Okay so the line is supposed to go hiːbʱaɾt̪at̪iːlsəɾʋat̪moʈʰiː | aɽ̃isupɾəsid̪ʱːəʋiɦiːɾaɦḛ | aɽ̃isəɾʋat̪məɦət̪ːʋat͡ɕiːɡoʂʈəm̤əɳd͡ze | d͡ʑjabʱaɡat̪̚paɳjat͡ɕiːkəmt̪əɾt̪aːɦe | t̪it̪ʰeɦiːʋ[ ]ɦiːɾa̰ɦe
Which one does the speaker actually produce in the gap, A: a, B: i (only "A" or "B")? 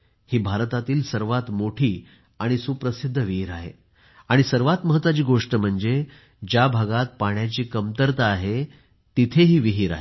B